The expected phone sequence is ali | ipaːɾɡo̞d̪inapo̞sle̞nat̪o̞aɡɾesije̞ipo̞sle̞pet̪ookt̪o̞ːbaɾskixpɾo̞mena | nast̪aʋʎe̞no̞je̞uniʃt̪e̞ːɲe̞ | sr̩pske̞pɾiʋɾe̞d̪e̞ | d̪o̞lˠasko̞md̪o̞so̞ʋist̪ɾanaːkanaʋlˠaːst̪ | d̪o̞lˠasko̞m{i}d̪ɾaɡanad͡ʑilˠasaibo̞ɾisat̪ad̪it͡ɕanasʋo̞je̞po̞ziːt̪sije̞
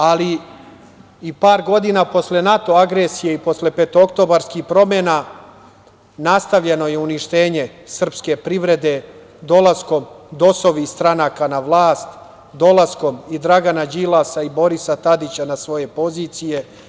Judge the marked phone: correct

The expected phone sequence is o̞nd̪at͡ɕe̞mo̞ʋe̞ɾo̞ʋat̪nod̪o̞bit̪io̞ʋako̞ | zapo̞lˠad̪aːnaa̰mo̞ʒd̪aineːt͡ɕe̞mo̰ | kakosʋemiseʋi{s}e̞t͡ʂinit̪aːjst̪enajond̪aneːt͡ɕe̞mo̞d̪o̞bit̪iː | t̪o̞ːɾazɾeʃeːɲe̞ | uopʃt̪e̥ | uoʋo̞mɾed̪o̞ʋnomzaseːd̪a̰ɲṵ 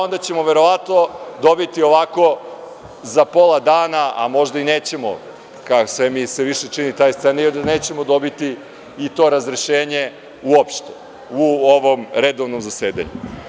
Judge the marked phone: incorrect: ʃ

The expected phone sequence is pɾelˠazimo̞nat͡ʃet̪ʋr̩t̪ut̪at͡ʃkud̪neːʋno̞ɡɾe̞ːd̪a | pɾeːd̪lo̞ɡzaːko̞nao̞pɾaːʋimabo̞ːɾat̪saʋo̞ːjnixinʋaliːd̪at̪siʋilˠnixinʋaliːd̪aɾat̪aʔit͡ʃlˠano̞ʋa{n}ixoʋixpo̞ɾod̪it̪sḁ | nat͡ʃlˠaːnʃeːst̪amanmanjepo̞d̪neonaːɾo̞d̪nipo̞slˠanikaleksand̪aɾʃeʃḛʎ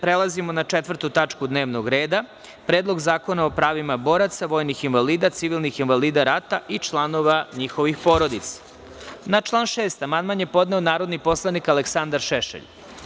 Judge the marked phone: incorrect: ɲ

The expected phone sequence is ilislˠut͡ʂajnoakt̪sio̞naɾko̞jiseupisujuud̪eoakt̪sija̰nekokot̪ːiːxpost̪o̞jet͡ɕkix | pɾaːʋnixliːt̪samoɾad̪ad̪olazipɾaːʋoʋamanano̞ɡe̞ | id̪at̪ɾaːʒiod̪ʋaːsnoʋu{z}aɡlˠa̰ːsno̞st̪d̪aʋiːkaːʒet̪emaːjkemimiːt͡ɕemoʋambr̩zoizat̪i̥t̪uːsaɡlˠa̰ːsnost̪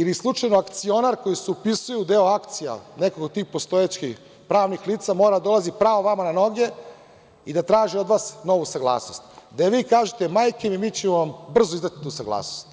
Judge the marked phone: incorrect: s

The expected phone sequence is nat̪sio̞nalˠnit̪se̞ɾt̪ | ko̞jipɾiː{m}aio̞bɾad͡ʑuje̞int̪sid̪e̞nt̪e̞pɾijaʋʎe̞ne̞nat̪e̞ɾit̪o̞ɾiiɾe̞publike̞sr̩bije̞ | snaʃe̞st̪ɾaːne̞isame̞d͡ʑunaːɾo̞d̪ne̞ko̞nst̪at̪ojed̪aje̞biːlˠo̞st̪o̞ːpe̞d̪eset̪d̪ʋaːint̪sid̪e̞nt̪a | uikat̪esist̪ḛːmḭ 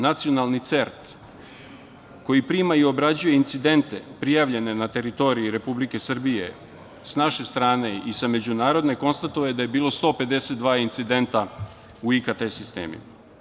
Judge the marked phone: correct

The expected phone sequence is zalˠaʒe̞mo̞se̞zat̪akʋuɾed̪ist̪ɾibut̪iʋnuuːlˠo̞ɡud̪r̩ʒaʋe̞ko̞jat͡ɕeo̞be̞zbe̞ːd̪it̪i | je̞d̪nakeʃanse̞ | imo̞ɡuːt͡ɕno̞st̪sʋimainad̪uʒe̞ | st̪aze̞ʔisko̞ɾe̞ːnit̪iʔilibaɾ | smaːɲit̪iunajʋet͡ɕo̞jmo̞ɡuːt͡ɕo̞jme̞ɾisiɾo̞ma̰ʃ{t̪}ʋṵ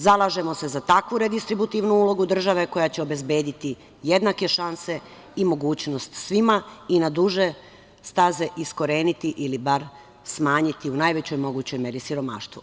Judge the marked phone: correct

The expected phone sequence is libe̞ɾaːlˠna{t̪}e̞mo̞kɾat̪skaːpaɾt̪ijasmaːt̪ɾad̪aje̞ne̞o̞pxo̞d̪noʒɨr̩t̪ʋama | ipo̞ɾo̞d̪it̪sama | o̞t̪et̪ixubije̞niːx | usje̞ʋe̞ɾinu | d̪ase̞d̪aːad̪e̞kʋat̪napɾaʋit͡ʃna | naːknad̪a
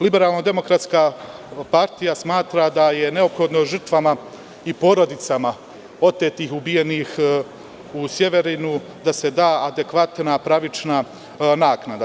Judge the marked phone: incorrect: d̪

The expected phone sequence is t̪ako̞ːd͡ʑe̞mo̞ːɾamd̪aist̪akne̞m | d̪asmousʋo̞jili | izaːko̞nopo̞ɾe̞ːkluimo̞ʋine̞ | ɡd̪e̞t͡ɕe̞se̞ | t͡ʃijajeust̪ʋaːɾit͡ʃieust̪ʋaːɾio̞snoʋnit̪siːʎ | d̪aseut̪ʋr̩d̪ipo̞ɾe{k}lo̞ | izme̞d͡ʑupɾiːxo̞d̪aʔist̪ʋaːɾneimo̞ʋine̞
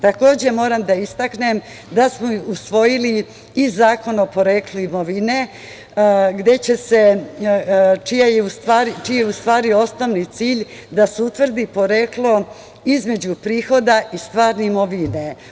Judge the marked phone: correct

